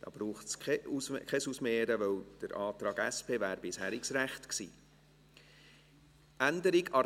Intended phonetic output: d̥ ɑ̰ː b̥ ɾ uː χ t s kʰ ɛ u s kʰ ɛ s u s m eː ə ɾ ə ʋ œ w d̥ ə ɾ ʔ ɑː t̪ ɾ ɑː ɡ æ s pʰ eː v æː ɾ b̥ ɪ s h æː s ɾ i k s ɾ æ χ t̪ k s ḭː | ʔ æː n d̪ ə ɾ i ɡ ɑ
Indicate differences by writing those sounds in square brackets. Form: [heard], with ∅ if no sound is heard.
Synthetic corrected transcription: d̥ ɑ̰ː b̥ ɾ uː χ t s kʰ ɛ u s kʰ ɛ s u s m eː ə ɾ ə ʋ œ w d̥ ə ɾ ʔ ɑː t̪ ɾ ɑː ɡ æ s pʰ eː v æː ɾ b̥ ɪ s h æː [∅] ɾ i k s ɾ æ χ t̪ k s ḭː | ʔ [æ] n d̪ ə ɾ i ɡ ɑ